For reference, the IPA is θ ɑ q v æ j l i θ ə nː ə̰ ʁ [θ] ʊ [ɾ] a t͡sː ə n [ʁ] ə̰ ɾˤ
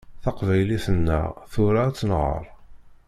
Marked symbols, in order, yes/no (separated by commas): yes, yes, yes